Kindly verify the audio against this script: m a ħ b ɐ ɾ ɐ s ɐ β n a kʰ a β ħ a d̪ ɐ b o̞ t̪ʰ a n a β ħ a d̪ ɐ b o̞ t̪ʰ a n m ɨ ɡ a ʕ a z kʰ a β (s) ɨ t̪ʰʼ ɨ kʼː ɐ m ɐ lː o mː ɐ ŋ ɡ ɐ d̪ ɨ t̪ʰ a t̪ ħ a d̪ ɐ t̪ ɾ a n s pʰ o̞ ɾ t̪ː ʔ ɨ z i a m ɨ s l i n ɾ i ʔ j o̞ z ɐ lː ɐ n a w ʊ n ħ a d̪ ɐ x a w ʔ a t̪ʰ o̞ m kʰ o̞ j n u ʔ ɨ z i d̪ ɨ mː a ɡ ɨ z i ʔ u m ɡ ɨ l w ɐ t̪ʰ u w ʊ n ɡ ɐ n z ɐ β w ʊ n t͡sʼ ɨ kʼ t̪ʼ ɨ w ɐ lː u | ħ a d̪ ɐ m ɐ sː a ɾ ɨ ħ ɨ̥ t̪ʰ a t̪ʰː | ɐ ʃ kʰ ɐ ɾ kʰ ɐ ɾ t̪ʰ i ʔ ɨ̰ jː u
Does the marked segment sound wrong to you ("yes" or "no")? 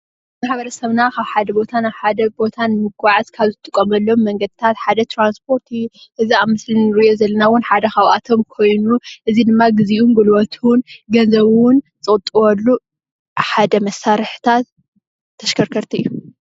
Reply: yes